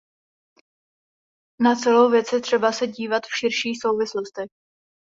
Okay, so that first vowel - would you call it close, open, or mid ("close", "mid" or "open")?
open